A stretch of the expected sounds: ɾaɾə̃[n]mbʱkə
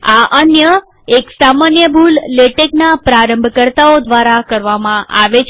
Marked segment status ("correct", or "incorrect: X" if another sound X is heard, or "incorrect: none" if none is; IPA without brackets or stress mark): incorrect: none